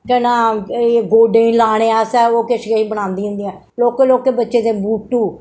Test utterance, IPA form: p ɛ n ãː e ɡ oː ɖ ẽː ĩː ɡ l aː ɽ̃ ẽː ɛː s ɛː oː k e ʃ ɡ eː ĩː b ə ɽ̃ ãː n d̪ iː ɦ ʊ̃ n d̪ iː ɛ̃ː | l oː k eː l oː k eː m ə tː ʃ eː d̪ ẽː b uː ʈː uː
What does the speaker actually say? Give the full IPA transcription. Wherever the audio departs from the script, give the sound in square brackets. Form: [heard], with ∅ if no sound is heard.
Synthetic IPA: [k] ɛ n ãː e ɡ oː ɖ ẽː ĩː [∅] l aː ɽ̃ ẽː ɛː s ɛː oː k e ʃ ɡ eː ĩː b ə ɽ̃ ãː n d̪ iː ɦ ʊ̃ n d̪ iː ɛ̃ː | l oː k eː l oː k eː [b] ə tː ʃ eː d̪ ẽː b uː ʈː uː